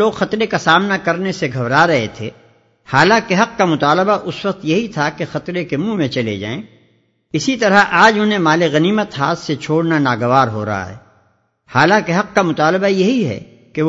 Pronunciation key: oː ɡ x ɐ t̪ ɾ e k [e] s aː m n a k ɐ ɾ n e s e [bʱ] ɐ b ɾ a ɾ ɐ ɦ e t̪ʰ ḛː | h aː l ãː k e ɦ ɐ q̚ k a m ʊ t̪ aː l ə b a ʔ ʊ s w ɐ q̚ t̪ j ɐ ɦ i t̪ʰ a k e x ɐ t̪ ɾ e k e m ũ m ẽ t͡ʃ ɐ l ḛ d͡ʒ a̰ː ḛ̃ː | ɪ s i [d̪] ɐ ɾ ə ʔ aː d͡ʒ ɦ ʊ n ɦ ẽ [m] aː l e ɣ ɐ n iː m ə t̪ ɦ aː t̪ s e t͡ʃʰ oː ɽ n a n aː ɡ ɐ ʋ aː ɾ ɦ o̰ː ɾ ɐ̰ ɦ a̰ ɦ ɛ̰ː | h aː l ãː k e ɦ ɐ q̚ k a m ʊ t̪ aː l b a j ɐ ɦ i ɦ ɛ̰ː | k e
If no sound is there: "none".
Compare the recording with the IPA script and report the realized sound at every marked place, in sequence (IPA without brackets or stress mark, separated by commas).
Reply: a, ɡʱ, t̪, m